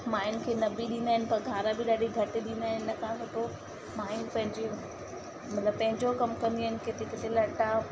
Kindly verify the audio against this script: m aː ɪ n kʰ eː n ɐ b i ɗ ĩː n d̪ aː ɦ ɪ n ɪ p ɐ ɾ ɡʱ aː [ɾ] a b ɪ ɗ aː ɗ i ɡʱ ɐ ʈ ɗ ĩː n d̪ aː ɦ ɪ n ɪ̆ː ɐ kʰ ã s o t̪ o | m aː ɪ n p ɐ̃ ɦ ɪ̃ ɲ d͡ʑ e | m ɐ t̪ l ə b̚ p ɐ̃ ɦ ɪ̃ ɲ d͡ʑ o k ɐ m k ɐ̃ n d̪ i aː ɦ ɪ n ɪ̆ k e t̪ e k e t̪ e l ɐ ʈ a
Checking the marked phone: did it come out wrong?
no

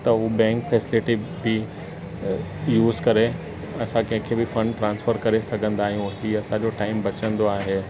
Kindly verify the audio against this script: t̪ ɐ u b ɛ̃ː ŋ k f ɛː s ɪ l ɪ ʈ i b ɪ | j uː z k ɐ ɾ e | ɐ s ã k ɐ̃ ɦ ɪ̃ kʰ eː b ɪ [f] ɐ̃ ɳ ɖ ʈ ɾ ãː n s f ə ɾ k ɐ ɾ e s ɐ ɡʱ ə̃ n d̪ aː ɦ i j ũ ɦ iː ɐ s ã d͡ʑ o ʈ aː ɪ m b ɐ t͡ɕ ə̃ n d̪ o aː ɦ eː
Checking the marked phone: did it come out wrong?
no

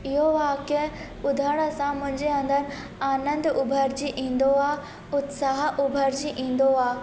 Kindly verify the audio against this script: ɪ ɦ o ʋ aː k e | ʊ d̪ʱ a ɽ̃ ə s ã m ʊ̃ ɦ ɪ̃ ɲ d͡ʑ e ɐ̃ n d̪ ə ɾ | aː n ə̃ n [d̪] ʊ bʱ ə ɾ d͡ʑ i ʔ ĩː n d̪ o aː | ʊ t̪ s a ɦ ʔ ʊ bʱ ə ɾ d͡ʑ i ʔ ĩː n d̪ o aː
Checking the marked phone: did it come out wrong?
no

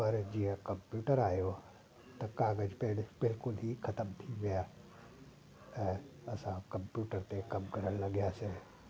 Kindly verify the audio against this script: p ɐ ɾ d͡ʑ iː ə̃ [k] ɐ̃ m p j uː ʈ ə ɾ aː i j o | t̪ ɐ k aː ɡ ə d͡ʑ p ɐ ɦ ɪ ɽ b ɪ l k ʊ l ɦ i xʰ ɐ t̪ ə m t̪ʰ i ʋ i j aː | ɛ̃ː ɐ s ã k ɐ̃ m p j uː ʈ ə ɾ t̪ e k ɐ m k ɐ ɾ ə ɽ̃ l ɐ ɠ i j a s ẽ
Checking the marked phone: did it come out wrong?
no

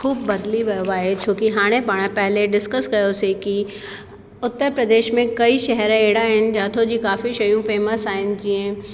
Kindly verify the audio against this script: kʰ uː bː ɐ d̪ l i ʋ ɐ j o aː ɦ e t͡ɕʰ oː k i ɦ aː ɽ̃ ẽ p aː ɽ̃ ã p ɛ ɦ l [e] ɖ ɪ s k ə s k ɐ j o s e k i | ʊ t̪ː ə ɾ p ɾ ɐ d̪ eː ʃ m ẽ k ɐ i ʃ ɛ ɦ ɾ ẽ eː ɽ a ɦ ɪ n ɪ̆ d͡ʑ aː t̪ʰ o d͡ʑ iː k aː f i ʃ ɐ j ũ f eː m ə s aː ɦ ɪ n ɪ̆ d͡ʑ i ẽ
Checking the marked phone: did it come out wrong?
no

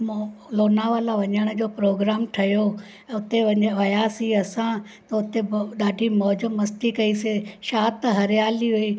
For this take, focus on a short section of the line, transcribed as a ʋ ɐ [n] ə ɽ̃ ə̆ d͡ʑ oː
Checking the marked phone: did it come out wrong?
yes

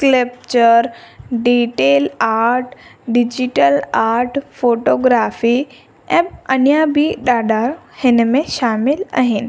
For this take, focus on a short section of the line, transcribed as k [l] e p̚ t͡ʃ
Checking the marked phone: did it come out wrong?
no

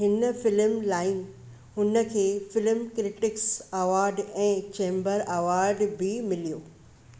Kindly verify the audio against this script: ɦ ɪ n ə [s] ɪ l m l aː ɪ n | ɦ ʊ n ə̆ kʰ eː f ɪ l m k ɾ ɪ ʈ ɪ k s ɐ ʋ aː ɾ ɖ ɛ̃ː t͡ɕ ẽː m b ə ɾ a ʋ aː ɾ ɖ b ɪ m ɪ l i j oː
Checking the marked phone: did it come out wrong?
yes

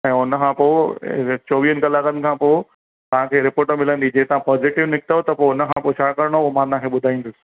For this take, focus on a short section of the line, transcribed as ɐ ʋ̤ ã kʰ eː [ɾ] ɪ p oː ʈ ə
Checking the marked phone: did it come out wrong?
no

